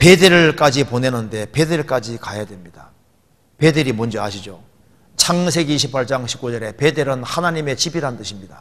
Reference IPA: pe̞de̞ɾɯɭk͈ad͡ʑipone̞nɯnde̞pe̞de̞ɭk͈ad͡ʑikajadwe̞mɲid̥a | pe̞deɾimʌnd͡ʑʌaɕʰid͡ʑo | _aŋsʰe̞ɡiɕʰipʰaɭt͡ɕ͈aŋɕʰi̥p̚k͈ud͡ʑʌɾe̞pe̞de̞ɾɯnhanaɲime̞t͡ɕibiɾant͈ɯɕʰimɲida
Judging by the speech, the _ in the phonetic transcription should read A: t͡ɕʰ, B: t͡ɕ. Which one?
A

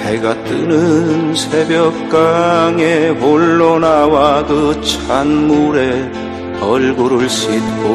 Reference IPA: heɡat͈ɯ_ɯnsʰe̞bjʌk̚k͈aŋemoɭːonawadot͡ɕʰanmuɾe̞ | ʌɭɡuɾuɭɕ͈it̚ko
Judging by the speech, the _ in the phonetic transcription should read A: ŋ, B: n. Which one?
B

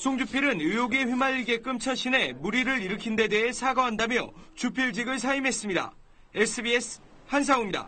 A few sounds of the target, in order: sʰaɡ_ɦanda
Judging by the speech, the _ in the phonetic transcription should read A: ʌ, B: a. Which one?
A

